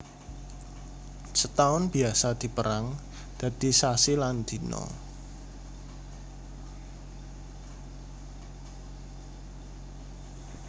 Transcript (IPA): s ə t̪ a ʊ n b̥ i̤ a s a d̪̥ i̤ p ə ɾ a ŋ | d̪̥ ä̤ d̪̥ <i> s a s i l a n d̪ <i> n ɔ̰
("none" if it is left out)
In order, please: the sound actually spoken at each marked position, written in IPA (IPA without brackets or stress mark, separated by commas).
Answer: i, i